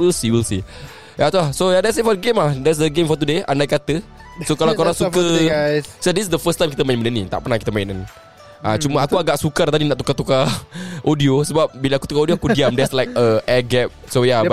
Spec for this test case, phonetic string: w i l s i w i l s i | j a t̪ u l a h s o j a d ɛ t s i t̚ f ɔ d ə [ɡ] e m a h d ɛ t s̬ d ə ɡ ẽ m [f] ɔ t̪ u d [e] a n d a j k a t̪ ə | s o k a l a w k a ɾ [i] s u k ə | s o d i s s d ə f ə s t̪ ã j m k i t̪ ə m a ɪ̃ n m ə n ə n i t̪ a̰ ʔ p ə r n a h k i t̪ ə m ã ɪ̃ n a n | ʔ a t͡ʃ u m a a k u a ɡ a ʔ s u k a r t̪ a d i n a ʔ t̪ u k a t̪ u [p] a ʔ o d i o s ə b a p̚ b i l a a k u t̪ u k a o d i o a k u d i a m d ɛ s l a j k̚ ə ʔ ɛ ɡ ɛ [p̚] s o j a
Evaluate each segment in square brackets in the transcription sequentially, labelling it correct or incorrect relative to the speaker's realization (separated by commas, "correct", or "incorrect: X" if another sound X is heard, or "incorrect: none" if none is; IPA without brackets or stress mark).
correct, correct, correct, incorrect: a, incorrect: k, correct